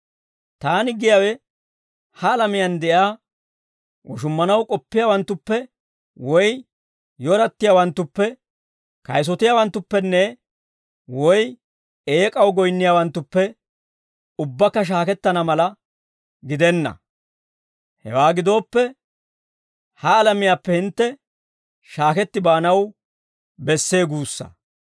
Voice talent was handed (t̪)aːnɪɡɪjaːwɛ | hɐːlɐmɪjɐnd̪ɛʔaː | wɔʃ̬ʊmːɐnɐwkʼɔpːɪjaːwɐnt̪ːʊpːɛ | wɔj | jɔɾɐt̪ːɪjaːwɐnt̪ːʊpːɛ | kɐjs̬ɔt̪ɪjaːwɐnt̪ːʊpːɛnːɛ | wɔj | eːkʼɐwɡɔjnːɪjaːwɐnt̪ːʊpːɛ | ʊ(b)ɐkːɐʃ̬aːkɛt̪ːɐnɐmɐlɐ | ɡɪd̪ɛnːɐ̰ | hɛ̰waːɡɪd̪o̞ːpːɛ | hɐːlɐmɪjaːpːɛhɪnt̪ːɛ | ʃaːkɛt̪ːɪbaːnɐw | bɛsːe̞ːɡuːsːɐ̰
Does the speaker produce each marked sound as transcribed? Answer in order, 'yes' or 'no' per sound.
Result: yes, no

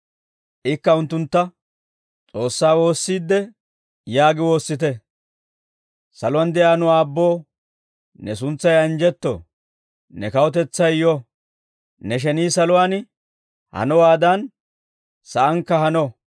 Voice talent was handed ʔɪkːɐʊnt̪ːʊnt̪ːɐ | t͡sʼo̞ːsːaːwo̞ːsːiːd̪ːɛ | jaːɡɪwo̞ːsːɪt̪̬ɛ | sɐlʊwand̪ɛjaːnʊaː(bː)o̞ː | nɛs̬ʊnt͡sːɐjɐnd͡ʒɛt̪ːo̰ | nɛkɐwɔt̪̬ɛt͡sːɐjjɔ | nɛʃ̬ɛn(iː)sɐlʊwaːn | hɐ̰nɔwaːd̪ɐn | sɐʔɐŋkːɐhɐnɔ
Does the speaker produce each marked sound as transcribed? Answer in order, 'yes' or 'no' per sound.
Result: yes, yes

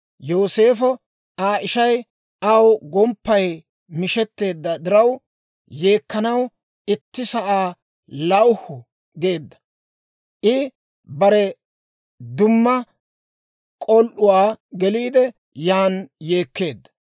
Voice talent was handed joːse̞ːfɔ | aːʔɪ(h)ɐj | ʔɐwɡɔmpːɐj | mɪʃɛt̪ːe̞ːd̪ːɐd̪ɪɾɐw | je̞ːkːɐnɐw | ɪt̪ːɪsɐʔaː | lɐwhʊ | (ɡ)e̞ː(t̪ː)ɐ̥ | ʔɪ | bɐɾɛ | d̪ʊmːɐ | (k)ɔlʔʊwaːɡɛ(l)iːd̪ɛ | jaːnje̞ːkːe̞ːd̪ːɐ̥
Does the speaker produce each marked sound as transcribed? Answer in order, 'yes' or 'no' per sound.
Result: no, yes, no, no, yes

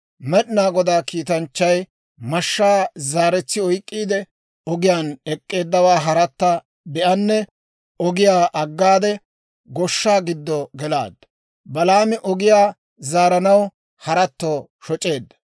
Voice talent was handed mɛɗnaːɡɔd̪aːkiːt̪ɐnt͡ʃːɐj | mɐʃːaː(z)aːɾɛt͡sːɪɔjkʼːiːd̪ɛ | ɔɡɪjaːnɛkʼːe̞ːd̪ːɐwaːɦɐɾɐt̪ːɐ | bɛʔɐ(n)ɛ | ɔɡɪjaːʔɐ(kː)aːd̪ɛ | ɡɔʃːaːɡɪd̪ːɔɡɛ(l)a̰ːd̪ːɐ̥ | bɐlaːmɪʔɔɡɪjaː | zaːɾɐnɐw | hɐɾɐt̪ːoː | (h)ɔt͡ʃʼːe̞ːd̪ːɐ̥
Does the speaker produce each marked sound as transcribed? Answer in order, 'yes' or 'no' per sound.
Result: yes, no, no, yes, no

